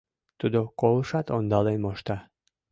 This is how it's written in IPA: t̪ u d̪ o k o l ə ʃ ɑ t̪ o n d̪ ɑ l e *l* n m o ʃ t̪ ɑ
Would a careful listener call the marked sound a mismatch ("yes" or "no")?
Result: yes